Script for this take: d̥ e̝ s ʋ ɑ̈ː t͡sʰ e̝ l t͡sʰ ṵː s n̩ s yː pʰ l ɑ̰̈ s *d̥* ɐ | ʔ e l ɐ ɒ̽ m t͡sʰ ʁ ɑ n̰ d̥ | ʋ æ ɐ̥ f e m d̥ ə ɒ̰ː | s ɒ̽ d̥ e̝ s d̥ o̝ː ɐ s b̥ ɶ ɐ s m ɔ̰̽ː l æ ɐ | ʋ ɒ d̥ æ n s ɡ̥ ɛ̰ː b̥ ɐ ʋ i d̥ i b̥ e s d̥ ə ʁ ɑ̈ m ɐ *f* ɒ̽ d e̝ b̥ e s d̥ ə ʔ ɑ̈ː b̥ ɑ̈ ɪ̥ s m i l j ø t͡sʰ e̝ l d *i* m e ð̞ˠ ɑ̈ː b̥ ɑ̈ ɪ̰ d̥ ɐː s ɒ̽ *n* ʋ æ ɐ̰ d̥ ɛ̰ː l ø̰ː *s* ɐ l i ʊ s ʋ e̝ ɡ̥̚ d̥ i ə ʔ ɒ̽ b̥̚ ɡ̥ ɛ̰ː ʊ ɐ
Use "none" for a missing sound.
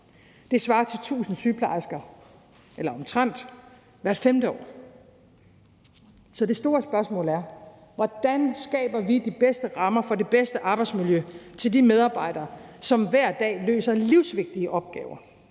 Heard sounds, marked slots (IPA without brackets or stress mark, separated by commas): ɡ̥, f, i, m, s